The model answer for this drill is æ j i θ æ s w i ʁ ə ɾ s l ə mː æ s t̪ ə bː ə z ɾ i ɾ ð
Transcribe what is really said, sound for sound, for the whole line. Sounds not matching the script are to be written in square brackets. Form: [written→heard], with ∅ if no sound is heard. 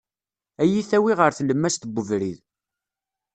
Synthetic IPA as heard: æ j i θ æ [s→∅] w i ʁ ə ɾ [s→θ] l ə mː æ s t̪ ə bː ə [z→v] ɾ i [ɾ→∅] ð